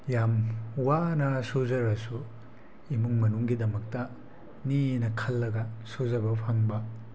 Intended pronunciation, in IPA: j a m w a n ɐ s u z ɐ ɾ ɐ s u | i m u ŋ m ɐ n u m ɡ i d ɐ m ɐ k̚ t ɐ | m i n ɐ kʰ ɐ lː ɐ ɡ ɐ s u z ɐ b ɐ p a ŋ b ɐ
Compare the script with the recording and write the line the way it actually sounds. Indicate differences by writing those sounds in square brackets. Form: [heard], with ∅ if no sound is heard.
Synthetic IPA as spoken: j a m w a n ɐ s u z ɐ ɾ ɐ s u | i m u ŋ m ɐ n u [ŋ] ɡ i d ɐ m ɐ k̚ t ɐ | [n] i n ɐ kʰ ɐ lː ɐ ɡ ɐ s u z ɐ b ɐ [pʰ] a ŋ b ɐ